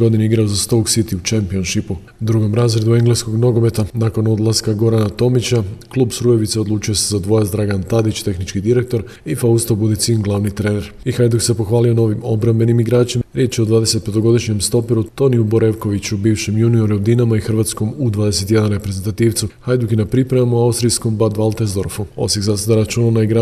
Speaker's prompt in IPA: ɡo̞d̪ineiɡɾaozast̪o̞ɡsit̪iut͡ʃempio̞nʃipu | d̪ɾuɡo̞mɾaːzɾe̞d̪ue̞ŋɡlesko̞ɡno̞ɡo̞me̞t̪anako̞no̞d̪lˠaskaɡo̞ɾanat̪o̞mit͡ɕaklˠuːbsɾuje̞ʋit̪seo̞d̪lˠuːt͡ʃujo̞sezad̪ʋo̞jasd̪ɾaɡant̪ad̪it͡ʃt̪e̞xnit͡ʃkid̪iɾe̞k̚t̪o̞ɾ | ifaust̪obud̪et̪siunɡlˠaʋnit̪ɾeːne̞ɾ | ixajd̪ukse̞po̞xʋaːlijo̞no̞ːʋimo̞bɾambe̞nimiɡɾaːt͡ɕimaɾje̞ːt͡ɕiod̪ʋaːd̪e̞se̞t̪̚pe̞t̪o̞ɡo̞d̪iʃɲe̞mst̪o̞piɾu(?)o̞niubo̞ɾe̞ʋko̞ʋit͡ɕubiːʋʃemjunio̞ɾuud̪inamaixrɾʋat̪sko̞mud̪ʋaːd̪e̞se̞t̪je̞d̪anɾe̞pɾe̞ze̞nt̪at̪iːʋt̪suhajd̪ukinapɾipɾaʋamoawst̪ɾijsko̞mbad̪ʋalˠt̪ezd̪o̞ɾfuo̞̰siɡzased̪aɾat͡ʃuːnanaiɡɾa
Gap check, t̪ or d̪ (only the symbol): t̪